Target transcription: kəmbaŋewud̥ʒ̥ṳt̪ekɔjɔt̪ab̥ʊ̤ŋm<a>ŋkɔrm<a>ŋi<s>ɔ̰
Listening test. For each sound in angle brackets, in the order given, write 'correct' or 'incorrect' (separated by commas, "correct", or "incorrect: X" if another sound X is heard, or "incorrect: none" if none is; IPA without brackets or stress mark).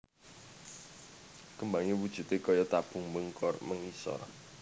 incorrect: ə, incorrect: ə, correct